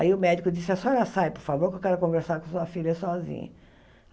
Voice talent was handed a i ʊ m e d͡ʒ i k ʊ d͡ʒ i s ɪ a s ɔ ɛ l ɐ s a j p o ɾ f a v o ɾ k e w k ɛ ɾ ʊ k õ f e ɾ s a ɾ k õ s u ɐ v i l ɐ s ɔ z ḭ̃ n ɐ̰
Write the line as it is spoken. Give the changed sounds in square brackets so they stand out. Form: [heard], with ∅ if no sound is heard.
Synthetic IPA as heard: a i ʊ m [ɛ] d͡ʒ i k ʊ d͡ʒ i s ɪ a s ɔ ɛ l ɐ s a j p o ɾ f a v o ɾ k e w k ɛ ɾ ʊ k õ [v] e ɾ s a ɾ k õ s u ɐ [f] i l ɐ s ɔ z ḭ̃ [ɲ] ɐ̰